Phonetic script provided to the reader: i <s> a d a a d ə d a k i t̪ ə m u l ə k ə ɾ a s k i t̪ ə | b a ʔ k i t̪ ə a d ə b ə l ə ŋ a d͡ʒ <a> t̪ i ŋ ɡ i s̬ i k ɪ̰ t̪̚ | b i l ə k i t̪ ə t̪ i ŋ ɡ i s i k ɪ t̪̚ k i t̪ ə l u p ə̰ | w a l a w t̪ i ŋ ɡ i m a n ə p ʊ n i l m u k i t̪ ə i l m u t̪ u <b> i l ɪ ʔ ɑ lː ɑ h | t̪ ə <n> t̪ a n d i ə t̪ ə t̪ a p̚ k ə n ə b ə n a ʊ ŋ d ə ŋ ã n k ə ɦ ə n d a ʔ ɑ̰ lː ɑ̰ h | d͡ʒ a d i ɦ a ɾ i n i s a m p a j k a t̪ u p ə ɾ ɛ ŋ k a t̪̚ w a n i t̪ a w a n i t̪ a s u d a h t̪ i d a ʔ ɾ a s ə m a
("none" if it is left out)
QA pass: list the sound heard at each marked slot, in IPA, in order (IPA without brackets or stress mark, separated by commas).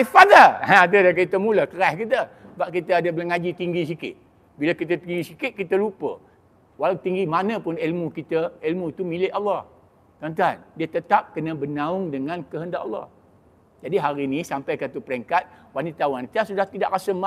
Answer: f, i, m, n